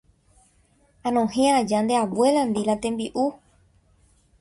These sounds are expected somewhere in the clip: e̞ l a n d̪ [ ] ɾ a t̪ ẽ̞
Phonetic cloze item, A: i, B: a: A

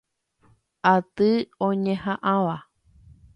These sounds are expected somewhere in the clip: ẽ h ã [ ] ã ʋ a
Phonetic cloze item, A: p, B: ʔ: B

